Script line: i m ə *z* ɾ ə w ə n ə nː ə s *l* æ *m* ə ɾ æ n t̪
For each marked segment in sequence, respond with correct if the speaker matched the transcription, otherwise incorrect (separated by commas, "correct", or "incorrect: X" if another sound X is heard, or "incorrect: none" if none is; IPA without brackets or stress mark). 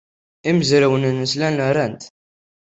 correct, correct, incorrect: n